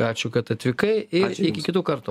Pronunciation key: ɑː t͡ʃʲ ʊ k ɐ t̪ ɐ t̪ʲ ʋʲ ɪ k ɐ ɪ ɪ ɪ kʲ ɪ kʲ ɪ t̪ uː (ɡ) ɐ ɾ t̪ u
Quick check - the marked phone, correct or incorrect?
incorrect